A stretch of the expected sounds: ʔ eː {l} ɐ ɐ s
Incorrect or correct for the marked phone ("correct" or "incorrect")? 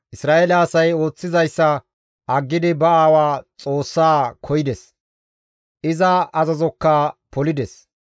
correct